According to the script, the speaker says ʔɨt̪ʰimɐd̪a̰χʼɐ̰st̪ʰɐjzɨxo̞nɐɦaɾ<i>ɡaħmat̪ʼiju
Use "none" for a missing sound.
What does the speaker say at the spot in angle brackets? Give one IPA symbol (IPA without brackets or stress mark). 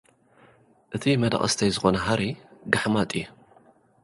i